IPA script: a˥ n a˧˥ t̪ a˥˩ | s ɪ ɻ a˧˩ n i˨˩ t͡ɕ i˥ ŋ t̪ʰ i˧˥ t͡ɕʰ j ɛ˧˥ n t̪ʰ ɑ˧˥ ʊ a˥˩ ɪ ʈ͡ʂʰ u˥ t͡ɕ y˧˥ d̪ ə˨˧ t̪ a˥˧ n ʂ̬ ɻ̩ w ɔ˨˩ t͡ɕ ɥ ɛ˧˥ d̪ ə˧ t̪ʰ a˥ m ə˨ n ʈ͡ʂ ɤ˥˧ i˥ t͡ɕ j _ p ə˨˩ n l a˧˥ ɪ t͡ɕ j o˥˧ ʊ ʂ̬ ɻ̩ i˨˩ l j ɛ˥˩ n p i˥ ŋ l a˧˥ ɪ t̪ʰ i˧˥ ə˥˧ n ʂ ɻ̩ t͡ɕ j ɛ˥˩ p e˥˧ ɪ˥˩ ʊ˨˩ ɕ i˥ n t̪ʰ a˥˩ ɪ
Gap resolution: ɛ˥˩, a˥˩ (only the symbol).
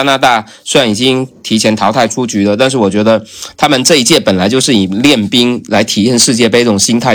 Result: ɛ˥˩